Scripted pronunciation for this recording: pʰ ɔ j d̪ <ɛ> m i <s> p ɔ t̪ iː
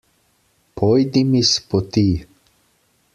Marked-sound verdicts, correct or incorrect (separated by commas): incorrect, correct